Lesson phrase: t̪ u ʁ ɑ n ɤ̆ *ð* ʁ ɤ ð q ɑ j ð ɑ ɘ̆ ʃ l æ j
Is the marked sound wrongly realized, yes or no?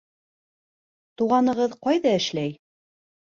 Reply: yes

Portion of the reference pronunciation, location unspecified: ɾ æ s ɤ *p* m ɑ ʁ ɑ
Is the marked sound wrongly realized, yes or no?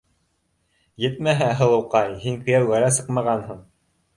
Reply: yes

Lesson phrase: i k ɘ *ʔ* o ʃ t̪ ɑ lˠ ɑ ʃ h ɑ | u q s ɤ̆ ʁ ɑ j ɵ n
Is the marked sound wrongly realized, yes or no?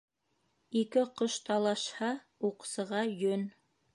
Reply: yes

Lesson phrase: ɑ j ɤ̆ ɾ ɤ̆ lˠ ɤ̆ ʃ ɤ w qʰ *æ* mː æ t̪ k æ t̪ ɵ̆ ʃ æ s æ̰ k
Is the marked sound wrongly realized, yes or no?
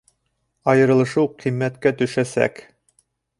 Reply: yes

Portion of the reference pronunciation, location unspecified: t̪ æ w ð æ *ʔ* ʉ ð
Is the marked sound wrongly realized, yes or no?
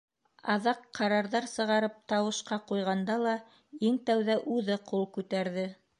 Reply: no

